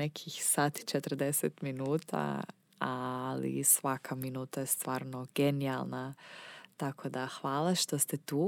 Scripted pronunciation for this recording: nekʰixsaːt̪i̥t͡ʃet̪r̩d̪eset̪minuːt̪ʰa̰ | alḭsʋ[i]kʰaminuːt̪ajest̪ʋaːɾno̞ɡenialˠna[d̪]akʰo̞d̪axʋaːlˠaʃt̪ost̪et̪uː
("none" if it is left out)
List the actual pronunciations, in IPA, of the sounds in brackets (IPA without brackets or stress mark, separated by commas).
a, t̪